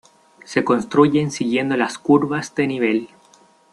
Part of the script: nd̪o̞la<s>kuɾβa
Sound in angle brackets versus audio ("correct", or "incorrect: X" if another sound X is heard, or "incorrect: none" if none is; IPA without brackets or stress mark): correct